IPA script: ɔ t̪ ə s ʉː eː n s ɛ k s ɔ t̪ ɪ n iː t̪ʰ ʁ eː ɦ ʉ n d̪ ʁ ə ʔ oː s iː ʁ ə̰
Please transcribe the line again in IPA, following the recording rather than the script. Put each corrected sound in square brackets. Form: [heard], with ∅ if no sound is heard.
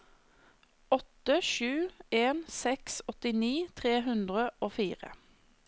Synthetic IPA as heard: ɔ t̪ ə [ʃ] ʉː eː n s ɛ k s ɔ t̪ ɪ n iː t̪ʰ ʁ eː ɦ ʉ n d̪ ʁ ə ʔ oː [f] iː ʁ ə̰